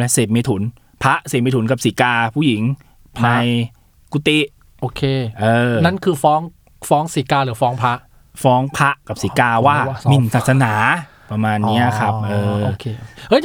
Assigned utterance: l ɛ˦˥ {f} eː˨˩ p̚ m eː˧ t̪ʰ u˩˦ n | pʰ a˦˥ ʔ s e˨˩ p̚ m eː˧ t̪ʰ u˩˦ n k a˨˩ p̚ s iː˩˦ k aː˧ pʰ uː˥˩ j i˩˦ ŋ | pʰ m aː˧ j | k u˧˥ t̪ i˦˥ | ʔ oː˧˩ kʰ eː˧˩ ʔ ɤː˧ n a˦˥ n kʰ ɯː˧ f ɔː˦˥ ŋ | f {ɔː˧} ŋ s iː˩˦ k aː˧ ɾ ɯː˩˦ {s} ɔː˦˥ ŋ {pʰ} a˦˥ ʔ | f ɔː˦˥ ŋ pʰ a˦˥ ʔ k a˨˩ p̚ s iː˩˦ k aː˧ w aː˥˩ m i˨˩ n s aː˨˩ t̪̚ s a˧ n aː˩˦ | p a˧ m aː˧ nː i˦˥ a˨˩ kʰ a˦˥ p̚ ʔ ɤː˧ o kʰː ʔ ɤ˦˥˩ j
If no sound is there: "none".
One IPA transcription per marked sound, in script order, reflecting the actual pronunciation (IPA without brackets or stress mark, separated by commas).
s, ɔː˦˥, f, pʰ